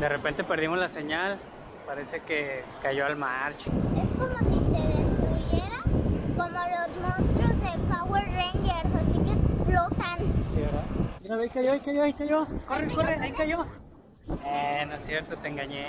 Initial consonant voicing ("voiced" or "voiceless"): voiced